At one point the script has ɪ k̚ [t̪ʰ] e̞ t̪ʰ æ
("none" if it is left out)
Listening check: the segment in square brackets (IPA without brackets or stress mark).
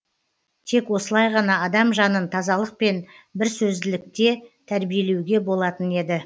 t̪